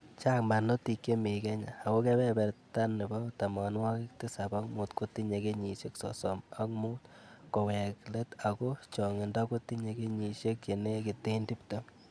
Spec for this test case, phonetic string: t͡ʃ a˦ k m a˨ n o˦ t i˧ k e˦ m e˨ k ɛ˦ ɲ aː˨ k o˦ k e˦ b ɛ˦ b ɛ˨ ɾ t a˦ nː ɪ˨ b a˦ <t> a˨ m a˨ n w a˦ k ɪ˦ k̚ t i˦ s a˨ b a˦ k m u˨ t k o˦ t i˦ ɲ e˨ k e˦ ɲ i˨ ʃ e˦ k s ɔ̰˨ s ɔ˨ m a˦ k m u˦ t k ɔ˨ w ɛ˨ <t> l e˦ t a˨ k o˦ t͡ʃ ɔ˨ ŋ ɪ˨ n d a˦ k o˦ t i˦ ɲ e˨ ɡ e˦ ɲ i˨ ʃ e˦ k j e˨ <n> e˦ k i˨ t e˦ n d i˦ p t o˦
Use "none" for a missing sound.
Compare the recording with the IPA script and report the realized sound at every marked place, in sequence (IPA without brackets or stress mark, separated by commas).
t, k, n